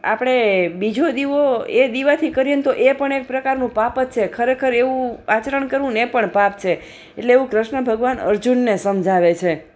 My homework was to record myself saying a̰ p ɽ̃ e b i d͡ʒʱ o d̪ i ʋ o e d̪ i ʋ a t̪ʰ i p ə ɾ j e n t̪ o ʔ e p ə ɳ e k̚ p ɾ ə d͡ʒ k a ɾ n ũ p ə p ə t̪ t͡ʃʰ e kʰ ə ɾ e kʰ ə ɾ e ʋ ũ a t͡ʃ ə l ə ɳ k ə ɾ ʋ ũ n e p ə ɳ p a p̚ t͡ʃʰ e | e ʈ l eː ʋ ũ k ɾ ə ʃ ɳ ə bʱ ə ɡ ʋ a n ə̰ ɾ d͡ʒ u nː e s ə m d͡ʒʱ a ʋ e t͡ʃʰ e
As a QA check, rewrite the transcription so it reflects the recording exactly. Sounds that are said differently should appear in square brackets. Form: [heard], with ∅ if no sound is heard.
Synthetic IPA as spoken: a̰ p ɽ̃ e b i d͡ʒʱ o d̪ i ʋ o e d̪ i ʋ a t̪ʰ i [k] ə ɾ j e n t̪ o ʔ e p ə ɳ e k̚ p ɾ ə [∅] k a ɾ n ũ p [a] p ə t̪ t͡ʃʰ e kʰ ə ɾ e kʰ ə ɾ e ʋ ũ a t͡ʃ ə [ɾ] ə ɳ k ə ɾ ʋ ũ n e p ə ɳ p a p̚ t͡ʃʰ e | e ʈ l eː ʋ ũ k ɾ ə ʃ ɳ ə bʱ ə ɡ ʋ a n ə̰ ɾ d͡ʒ u nː e s ə m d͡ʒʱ a ʋ e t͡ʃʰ e